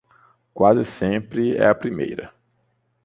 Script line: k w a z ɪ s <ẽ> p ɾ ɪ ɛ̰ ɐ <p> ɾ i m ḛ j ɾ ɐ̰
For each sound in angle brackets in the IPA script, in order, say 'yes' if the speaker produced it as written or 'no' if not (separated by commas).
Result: yes, yes